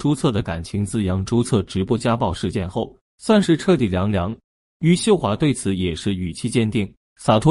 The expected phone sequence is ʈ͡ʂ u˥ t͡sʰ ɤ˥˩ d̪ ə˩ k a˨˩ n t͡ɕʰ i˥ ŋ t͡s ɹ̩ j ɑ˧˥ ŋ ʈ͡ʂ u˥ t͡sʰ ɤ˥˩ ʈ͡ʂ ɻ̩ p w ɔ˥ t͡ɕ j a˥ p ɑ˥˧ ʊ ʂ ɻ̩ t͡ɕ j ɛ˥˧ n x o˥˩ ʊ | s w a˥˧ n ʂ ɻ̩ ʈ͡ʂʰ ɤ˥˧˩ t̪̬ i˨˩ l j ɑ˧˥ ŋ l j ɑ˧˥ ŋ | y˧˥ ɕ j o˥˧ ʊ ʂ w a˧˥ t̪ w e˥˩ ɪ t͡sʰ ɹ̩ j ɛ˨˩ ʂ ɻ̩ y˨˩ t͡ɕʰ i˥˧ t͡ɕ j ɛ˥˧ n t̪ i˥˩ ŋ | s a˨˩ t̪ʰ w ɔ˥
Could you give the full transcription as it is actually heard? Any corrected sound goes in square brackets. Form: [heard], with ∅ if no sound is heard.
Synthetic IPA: ʈ͡ʂ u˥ t͡sʰ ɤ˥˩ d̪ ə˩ k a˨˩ n t͡ɕʰ [i˧˥] ŋ t͡s ɹ̩ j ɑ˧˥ ŋ ʈ͡ʂ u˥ t͡sʰ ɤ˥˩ ʈ͡ʂ ɻ̩ p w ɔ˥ t͡ɕ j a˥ p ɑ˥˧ ʊ ʂ ɻ̩ t͡ɕ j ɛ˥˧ n x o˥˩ ʊ | s w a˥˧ n ʂ ɻ̩ ʈ͡ʂʰ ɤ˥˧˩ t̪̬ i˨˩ l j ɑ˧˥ ŋ l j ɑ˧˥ ŋ | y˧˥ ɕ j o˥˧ ʊ [x] w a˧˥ t̪ w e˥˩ ɪ t͡sʰ ɹ̩ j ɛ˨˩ ʂ ɻ̩ y˨˩ t͡ɕʰ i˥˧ t͡ɕ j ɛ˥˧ n t̪ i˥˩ ŋ | s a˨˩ t̪ʰ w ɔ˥